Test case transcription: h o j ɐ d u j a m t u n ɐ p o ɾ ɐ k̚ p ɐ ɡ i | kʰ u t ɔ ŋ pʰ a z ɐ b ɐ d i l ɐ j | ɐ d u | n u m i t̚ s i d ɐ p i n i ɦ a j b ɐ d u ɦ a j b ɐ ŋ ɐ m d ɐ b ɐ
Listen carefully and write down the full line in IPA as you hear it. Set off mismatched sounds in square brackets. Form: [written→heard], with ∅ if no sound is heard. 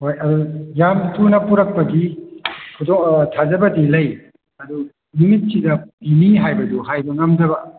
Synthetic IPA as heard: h o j ɐ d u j a m t u n ɐ p [o→u] ɾ ɐ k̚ p ɐ ɡ i | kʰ u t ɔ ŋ [pʰ→tʰ] a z ɐ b ɐ d i l ɐ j | ɐ d u | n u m i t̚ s i d ɐ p i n i ɦ a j b ɐ d u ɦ a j b ɐ ŋ ɐ m d ɐ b ɐ